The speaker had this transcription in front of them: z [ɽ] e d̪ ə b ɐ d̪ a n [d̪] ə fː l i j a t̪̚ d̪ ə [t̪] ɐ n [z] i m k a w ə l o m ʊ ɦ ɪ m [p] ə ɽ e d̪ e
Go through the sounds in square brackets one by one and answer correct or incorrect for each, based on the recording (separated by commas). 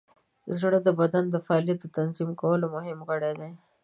correct, correct, correct, correct, incorrect